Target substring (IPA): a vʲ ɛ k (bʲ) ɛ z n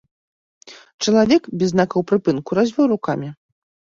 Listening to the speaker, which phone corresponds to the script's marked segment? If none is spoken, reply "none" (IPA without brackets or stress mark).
bʲ